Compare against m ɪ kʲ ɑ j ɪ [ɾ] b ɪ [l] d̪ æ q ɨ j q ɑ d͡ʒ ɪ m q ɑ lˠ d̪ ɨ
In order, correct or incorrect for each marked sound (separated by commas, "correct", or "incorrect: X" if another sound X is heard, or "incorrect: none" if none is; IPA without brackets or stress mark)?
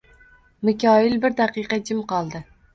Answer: incorrect: l, incorrect: ɾ